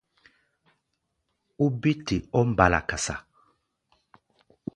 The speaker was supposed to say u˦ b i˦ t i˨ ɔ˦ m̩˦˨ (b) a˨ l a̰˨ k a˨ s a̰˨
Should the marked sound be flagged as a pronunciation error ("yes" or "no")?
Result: no